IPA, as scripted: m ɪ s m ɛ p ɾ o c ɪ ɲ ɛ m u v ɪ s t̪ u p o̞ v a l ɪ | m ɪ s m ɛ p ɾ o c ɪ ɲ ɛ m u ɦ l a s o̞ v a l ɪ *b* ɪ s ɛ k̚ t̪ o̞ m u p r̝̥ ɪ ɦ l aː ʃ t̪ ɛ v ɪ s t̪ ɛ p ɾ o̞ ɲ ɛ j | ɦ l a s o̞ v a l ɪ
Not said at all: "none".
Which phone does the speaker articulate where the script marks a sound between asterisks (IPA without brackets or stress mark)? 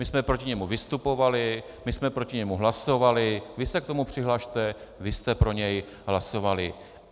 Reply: v